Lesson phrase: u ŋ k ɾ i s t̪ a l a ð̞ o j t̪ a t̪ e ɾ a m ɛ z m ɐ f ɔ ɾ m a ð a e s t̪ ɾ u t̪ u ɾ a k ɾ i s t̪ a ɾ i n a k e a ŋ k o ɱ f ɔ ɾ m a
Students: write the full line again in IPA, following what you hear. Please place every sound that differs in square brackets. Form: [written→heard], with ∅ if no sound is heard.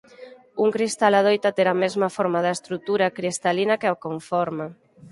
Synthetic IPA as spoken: u ŋ k ɾ i s t̪ a l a ð̞ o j t̪ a t̪ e ɾ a m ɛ z m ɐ f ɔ ɾ m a ð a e s t̪ ɾ u t̪ u ɾ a k ɾ i s t̪ a [ɾ→l] i n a k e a [ŋ→∅] k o ɱ f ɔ ɾ m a